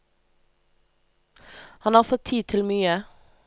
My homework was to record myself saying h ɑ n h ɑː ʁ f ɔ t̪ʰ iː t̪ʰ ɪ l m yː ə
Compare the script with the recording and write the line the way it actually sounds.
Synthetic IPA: h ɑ n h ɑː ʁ f ɔ t̪ʰ iː t̪ʰ ɪ l m yː ə